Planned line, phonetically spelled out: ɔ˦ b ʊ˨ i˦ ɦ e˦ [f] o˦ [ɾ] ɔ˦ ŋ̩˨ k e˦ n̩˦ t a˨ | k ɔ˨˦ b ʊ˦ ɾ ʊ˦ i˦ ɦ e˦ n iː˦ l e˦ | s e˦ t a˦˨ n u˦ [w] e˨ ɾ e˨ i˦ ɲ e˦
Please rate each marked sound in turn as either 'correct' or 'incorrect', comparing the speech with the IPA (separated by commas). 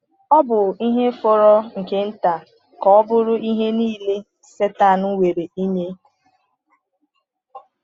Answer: correct, correct, correct